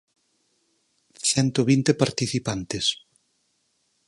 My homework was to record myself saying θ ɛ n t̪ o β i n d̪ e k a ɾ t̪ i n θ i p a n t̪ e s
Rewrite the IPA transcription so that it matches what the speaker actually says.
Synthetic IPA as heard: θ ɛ n t̪ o β i n t̪ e p a ɾ t̪ i θ i p a n t̪ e s